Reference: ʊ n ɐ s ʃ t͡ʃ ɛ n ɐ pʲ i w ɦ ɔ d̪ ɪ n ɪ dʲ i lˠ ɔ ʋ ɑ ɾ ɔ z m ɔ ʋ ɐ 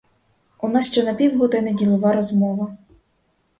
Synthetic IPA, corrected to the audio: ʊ n ɑ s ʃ t͡ʃ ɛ n ɐ pʲ i w ɦ ɔ d̪ ɪ n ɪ dʲ i lˠ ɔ ʋ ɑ ɾ ɔ z m ɔ ʋ ɐ